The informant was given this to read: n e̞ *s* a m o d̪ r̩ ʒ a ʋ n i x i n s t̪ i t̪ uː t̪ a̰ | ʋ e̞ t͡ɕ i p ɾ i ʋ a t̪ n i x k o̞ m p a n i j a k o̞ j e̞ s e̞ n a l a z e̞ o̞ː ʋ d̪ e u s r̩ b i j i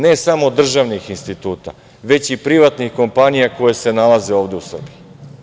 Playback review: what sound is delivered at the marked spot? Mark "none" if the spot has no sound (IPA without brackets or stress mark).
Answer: s